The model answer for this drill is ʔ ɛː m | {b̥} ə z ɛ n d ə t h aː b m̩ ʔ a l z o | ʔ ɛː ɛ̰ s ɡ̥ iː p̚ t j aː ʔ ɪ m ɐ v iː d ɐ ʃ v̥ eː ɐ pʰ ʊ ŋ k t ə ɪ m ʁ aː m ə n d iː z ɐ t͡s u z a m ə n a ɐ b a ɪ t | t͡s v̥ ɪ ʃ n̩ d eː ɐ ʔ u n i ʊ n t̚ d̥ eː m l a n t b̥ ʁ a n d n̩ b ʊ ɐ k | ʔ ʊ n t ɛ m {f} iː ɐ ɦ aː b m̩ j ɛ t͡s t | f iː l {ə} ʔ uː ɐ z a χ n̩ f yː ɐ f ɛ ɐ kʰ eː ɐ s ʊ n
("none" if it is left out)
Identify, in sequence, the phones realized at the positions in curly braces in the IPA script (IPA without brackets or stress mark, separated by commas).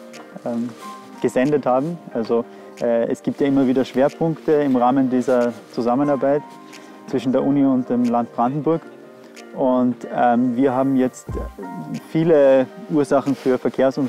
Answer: ɡ̥, v, ə